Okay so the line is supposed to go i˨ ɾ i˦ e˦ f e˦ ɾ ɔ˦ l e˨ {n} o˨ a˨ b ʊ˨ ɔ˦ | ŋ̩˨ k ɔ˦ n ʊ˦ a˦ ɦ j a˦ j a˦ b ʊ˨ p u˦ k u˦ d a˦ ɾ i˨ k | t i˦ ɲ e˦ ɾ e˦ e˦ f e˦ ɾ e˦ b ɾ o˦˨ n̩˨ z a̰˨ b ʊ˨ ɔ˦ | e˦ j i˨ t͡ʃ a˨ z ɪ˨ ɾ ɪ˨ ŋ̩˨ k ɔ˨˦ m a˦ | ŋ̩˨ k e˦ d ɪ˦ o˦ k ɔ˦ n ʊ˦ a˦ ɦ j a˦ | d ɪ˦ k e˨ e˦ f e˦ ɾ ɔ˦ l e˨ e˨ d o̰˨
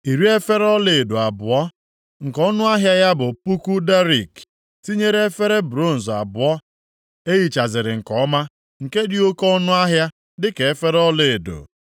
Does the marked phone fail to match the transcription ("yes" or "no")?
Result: yes